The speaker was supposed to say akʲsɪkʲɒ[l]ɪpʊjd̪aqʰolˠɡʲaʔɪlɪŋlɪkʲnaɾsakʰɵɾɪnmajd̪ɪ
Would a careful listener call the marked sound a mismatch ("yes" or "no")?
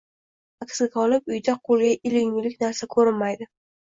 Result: no